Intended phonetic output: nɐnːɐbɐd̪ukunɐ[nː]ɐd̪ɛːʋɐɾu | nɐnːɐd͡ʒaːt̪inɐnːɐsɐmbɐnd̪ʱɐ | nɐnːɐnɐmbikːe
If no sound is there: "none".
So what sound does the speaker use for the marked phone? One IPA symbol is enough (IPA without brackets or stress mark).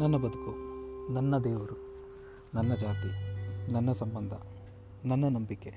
nː